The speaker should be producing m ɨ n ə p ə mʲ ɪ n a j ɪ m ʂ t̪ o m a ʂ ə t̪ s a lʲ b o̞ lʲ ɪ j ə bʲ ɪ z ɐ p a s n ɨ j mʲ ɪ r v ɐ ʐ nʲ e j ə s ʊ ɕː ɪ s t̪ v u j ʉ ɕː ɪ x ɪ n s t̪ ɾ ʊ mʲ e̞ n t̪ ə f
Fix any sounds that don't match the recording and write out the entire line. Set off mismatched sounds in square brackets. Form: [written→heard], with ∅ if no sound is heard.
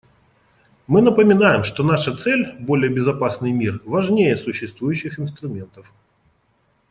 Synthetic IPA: m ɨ n ə p ə mʲ ɪ n a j ɪ m ʂ t̪ o [m→n] a ʂ ə t̪ s [a→ɛ] lʲ b o̞ lʲ ɪ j ə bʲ ɪ z ɐ p a s n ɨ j mʲ [ɪ→i] r v ɐ ʐ nʲ e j ə s ʊ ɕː ɪ s t̪ v u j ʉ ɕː ɪ x ɪ n s t̪ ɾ ʊ mʲ e̞ n t̪ ə f